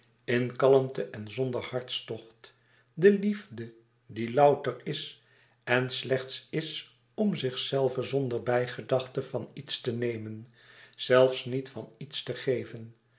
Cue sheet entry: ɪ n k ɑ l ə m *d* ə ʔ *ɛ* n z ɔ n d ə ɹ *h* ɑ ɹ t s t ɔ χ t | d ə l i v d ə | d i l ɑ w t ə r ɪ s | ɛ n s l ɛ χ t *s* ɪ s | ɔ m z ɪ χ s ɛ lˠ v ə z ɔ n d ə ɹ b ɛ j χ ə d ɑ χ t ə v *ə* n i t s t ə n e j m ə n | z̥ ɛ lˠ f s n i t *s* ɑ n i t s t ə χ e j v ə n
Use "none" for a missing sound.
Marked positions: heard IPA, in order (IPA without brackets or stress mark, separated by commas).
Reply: t, ɛ, h, s, ɑ, f